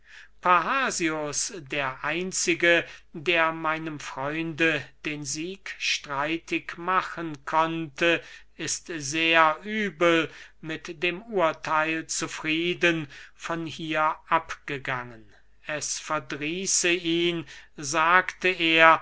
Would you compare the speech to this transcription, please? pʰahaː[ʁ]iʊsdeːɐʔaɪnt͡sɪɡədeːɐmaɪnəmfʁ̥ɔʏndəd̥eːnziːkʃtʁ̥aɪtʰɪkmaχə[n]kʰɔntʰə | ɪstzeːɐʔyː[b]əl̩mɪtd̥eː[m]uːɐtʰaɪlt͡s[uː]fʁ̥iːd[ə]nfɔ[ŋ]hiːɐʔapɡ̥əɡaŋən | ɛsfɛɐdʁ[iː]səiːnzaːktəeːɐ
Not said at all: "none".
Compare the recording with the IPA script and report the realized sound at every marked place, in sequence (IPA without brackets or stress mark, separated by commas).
z, n, b, m, u, ə, n, iː